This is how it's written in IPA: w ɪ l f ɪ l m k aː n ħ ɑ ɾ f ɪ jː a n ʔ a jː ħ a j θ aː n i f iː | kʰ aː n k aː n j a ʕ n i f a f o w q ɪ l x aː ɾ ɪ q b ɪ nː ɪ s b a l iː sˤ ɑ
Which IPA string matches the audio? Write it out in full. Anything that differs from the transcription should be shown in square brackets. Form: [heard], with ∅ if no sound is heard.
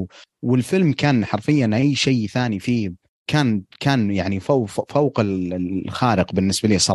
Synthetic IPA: w ɪ l f ɪ l m k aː n ħ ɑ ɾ f ɪ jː a n ʔ a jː [ʃ] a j θ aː n i f iː | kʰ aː n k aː n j a ʕ n i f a f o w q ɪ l x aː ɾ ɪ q b ɪ nː ɪ s b a l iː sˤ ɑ